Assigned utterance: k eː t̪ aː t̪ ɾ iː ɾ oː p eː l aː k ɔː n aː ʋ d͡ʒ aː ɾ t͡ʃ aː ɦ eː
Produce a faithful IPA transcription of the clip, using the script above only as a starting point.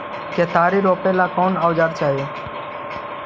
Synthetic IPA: k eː t̪ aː ɾ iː ɾ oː p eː l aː k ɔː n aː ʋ d͡ʒ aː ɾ t͡ʃ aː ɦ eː